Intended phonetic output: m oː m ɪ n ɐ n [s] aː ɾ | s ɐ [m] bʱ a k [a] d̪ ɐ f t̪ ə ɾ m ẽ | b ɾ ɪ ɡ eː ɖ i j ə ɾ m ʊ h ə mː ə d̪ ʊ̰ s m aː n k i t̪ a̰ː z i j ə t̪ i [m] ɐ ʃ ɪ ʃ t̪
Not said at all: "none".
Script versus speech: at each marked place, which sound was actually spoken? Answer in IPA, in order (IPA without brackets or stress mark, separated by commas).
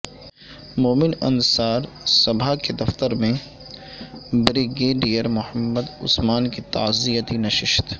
s, none, e, n